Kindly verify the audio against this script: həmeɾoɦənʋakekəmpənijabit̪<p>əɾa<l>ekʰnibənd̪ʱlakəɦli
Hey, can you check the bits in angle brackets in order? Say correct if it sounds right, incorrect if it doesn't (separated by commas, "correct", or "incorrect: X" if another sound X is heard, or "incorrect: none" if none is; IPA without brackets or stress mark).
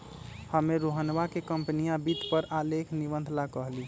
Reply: correct, correct